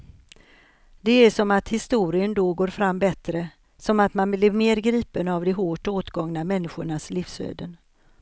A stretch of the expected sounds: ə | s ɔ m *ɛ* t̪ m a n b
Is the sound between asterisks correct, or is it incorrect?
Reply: incorrect